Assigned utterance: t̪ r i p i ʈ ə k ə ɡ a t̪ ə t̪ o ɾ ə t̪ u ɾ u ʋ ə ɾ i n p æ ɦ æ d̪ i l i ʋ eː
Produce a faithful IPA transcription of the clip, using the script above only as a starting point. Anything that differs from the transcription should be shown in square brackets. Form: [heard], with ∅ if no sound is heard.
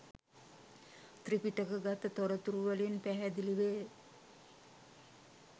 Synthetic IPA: t̪ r i p i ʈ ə k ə ɡ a t̪ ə t̪ o ɾ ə t̪ u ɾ u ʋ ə [l] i n p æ ɦ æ d̪ i l i ʋ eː

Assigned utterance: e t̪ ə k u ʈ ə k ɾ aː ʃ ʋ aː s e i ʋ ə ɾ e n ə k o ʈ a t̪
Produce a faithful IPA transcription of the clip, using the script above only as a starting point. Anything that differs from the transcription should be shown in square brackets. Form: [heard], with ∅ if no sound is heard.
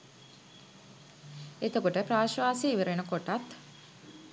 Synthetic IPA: e t̪ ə k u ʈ ə [p] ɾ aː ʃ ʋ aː s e i ʋ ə ɾ e n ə k o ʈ a t̪

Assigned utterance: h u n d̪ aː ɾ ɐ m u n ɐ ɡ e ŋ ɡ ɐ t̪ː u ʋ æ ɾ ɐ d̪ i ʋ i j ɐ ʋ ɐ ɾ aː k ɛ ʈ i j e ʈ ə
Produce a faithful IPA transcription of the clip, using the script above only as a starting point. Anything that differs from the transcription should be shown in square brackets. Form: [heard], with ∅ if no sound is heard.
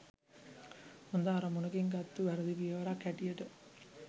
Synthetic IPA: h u n d̪ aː ɾ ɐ m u n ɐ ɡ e ŋ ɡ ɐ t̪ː u ʋ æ ɾ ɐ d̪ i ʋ i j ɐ ʋ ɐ ɾ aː k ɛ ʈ i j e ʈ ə

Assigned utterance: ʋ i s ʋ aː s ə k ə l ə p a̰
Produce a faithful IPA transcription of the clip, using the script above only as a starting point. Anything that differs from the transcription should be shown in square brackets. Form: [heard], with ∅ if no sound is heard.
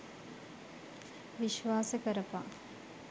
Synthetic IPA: ʋ i [ʃ] ʋ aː s ə k ə [ɾ] ə p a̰

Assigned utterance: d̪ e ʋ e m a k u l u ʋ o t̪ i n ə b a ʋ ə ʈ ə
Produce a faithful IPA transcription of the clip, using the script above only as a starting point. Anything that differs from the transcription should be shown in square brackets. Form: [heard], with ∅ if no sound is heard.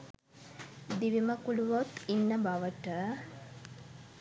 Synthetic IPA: d̪ [i] ʋ [i] m [ə] k u l u ʋ o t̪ i [nː] ə b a ʋ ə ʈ ə

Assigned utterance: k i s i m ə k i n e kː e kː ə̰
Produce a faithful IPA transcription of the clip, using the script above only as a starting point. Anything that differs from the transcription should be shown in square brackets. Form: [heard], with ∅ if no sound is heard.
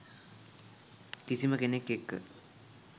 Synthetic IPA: k i s i m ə k [e] n e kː e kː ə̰

